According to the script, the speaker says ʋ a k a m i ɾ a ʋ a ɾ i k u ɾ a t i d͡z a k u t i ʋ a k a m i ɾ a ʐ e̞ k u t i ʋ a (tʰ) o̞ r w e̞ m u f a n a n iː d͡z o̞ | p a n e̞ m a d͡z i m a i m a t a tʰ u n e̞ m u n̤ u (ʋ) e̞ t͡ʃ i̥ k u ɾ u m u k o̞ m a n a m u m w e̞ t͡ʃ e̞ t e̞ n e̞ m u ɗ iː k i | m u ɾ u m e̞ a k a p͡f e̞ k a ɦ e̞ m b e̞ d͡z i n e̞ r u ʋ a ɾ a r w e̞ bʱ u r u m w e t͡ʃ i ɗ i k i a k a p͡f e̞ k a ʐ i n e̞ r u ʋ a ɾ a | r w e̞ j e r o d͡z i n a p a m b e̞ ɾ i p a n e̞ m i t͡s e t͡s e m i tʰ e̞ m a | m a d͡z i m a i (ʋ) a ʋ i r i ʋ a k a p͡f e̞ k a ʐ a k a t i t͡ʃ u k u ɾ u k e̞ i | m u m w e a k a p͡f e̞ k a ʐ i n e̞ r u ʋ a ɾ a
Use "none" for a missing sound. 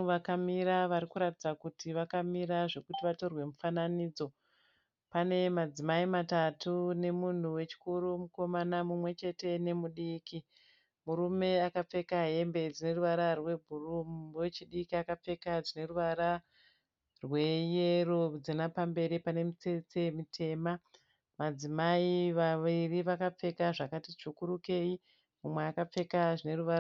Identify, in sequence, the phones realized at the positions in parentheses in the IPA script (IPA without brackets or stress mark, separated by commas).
t, w, ʋ